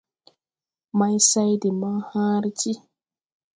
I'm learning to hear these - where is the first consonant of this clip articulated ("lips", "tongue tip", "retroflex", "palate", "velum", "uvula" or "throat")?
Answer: lips